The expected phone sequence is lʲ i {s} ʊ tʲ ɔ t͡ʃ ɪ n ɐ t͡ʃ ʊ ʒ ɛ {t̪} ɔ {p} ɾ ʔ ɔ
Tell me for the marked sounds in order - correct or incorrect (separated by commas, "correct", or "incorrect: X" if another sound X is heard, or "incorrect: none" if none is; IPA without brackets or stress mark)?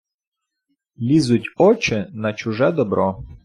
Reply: incorrect: z, incorrect: d̪, incorrect: b